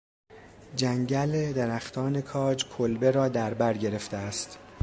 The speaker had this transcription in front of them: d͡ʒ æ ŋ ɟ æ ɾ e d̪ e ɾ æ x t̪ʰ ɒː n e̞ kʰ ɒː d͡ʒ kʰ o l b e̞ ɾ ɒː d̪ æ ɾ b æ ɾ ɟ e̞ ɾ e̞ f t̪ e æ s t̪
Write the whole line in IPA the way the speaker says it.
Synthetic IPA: d͡ʒ æ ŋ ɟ æ l e d̪ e ɾ æ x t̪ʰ ɒː n e̞ kʰ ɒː d͡ʒ kʰ o l b e̞ ɾ ɒː d̪ æ ɾ b æ ɾ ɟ e̞ ɾ e̞ f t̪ e æ s t̪